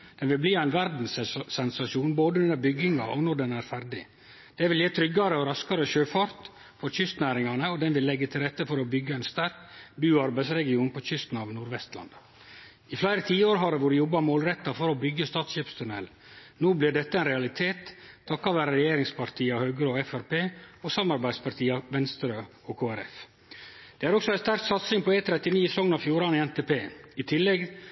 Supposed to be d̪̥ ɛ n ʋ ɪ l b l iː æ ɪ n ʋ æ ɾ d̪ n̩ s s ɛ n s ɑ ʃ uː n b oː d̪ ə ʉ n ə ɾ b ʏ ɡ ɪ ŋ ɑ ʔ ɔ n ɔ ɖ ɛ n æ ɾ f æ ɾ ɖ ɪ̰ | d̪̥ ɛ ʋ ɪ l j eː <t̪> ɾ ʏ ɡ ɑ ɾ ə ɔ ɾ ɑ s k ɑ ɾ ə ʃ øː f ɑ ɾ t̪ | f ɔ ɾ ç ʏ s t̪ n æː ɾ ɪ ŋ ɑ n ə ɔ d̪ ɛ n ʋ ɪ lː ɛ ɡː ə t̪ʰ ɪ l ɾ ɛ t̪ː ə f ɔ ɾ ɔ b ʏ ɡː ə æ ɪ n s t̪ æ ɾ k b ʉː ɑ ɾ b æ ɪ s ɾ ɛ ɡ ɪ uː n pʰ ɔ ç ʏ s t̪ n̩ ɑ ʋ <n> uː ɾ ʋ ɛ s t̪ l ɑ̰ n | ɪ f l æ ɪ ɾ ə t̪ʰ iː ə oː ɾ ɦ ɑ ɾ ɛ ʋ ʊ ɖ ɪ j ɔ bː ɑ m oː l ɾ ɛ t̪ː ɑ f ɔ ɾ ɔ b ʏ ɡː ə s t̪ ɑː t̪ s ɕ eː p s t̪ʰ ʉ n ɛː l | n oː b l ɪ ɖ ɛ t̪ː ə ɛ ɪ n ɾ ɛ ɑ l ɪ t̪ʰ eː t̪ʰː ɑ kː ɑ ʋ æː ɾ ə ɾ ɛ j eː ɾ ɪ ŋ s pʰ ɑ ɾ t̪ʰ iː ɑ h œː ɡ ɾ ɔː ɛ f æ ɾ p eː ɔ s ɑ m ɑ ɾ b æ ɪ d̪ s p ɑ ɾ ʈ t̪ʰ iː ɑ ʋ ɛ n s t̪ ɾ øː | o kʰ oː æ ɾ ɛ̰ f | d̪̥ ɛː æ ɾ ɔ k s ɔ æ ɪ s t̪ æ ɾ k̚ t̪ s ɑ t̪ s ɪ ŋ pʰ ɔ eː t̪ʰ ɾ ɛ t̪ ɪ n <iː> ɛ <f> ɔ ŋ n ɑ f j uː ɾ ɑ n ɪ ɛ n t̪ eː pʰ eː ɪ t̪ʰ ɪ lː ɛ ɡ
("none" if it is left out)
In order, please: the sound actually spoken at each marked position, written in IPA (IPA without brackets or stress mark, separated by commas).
t̪ʰ, n, iː, s